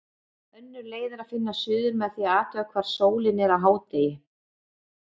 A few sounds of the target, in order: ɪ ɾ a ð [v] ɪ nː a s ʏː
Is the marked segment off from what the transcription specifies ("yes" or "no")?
yes